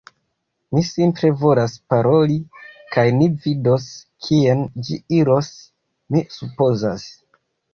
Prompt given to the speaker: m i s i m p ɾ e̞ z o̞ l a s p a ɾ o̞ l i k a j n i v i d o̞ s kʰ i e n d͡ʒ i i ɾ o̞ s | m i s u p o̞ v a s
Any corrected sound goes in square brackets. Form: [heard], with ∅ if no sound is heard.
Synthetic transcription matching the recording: m i s i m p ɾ e̞ [v] o̞ l a s p a ɾ o̞ l i k a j n i v i d o̞ s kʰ i e n d͡ʒ i i ɾ o̞ s | m i s u p o̞ [z] a s